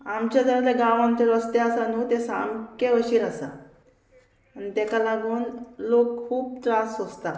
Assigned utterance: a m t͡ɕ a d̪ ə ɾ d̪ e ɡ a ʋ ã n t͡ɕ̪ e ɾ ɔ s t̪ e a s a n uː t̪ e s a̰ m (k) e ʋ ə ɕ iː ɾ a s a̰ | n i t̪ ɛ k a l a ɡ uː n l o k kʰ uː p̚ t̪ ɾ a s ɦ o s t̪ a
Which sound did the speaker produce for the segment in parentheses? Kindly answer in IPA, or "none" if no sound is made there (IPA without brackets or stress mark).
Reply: k